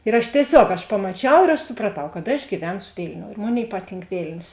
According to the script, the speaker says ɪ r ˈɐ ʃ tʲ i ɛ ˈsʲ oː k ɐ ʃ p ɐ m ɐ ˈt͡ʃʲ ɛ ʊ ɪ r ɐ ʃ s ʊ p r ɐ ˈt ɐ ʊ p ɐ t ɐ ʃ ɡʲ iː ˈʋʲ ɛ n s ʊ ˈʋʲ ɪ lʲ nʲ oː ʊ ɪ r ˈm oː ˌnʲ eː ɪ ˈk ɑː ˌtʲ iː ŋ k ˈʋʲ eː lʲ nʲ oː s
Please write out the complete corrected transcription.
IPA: ɪ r ˈɐ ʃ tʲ i ɛ ˈsʲ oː k ɐ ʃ p ɐ m ɐ ˈt͡ʃʲ ɛ ʊ ɪ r ɐ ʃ s ʊ p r ɐ ˈt ɐ ʊ k ɐ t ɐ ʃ ɡʲ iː ˈʋʲ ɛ n s ʊ ˈʋʲ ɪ lʲ nʲ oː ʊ ɪ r ˈm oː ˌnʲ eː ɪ ˈp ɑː ˌtʲ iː ŋ k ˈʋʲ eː lʲ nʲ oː s